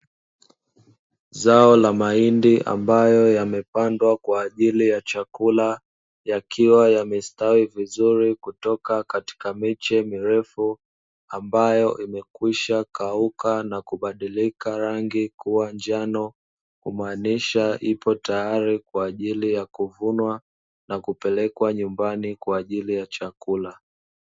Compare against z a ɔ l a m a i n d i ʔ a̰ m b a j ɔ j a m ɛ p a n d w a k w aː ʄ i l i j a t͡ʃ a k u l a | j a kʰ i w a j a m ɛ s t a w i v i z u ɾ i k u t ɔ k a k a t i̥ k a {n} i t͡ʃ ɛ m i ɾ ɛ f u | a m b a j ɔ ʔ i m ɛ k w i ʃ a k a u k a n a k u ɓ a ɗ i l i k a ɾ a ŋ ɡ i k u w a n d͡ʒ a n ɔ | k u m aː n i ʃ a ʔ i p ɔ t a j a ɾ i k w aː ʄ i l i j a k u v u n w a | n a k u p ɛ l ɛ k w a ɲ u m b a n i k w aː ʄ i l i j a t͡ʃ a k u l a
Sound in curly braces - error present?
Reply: yes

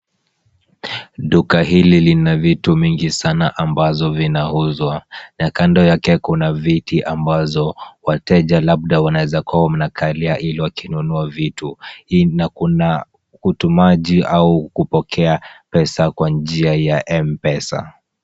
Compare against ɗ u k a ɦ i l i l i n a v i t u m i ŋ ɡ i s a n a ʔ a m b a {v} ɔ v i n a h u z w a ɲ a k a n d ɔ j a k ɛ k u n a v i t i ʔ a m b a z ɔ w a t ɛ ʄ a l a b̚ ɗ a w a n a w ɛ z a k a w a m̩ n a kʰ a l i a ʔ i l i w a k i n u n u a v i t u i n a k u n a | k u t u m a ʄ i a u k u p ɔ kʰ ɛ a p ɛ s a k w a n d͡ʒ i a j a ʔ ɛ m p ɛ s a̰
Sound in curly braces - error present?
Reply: yes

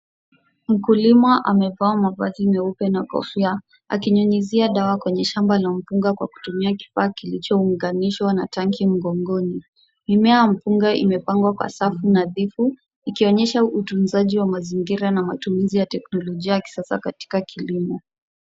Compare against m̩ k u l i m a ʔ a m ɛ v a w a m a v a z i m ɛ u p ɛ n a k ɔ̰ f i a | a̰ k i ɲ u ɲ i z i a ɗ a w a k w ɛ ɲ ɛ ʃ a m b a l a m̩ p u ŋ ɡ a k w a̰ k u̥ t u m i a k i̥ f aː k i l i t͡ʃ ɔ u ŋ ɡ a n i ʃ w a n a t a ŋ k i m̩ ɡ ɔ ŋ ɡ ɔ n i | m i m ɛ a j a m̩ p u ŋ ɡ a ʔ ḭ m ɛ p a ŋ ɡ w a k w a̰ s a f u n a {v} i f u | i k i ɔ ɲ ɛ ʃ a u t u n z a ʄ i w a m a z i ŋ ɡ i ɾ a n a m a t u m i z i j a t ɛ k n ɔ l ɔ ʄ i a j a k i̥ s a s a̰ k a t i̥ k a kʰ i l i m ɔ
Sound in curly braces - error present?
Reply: yes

